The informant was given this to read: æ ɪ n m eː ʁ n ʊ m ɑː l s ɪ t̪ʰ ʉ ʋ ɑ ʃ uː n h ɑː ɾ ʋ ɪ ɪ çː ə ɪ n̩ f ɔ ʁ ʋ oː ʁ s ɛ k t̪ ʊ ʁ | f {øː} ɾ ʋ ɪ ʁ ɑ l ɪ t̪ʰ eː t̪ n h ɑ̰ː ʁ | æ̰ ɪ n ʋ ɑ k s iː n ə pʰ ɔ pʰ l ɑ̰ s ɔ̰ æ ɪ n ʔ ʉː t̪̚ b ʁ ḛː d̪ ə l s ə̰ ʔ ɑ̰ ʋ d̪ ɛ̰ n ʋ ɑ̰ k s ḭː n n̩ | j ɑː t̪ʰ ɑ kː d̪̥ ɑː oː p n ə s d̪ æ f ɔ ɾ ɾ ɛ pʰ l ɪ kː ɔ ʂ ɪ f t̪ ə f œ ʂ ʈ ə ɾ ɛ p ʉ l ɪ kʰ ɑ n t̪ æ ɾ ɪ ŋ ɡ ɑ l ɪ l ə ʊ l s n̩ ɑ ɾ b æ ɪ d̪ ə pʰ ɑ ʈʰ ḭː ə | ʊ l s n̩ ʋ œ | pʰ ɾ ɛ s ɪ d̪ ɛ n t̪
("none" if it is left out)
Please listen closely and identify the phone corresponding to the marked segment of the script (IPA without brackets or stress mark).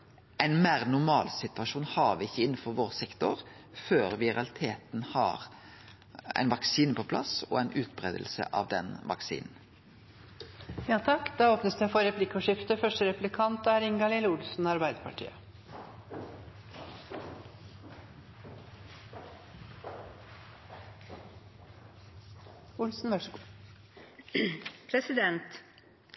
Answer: øː